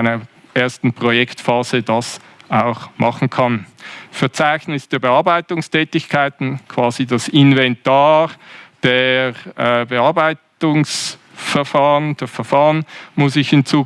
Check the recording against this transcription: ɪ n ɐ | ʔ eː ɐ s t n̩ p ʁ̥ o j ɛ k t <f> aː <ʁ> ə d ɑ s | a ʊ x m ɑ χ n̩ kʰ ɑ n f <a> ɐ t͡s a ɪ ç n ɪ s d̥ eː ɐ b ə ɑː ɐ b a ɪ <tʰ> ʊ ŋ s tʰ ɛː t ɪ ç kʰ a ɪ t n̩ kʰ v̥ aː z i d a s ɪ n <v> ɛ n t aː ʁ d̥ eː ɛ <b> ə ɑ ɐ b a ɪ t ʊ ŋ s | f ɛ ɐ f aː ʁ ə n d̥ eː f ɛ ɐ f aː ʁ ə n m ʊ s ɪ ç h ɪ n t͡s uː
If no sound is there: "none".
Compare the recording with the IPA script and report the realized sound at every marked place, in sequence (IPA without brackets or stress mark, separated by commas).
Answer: f, z, ɛ, t, v, b